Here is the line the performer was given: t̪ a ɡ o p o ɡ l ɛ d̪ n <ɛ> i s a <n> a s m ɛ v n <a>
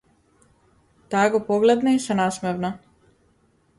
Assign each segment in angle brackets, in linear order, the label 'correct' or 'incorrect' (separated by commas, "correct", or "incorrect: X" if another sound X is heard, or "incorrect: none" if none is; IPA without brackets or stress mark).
incorrect: a, correct, correct